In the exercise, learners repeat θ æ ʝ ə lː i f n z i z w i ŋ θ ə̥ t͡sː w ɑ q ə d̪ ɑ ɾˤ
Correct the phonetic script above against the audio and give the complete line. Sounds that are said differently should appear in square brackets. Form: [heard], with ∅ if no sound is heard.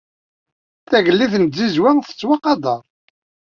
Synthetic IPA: θ æ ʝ ə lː i [θ] n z i z w [æ] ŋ θ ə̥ t͡sː w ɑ q [ɑ] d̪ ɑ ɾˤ